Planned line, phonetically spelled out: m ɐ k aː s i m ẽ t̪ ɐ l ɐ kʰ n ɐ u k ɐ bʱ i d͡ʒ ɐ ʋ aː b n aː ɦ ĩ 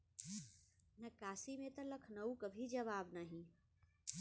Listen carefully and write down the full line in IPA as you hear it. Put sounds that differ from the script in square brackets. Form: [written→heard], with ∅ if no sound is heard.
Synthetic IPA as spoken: [m→n] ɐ k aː s i m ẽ t̪ ɐ l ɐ kʰ n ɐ u k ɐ bʱ i d͡ʒ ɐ ʋ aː b n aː ɦ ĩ